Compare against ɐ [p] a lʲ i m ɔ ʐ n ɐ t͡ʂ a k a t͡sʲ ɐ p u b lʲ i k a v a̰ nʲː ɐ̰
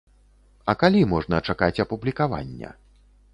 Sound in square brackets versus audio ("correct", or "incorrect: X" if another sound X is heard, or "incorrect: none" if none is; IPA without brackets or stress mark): incorrect: k